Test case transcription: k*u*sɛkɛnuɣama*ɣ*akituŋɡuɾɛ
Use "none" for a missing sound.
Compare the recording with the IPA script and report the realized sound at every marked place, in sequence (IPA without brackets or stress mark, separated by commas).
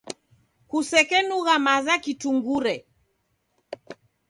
u, z